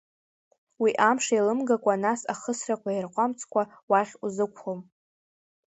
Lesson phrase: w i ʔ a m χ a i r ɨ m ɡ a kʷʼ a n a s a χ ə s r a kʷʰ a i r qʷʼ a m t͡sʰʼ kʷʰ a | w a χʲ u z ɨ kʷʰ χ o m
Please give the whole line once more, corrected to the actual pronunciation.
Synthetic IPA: w i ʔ a m ʂ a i l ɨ m ɡ a kʷʼ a n a s a χ ə s r a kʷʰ a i r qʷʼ a m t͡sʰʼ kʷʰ a | w a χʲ u z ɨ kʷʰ χ o m